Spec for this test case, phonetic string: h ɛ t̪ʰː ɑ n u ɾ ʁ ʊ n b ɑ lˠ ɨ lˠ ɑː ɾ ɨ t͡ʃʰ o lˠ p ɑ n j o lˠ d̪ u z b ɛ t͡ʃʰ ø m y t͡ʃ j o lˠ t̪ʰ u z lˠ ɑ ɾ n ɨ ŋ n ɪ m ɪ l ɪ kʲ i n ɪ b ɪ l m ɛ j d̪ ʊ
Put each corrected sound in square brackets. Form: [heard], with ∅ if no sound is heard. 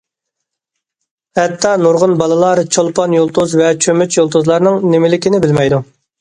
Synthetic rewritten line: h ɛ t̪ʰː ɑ n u ɾ ʁ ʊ n b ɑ lˠ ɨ lˠ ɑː ɾ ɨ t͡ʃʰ o lˠ p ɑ n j o lˠ [t̪] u z [v] ɛ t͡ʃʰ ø m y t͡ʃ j o lˠ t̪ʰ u z lˠ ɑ ɾ n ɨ ŋ n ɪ m ɪ l ɪ kʲ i n ɪ b ɪ l m ɛ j d̪ [u]